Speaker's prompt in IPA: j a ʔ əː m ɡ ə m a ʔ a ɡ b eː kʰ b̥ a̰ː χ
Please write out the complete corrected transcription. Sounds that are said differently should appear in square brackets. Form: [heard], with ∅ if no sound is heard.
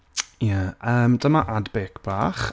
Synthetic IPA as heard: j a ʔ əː m [d] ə m a ʔ a [d] b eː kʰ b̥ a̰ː χ